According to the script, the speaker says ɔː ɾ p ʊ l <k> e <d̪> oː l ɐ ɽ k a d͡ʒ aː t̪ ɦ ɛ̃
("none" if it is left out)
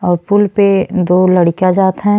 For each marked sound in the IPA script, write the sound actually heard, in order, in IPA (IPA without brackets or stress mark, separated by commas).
p, d̪